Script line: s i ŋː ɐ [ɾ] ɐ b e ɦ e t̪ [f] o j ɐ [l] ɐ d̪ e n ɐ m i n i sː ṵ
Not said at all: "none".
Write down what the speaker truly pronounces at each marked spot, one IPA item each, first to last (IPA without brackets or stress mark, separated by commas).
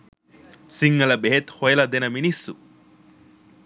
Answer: l, h, l